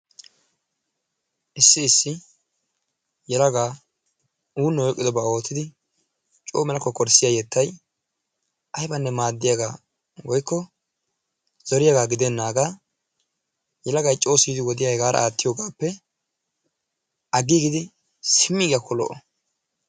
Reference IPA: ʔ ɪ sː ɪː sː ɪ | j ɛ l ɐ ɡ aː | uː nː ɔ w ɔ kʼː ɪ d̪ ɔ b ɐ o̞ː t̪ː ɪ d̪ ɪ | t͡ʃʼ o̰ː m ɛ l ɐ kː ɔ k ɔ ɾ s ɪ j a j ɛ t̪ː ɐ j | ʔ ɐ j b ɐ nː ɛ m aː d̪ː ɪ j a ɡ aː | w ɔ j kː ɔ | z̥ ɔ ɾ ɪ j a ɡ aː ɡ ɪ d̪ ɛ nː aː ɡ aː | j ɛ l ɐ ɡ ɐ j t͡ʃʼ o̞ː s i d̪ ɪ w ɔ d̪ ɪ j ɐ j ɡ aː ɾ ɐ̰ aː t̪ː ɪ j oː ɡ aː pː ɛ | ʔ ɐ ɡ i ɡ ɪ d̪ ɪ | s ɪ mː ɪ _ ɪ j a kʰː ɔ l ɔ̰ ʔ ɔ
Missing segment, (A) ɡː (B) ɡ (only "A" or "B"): B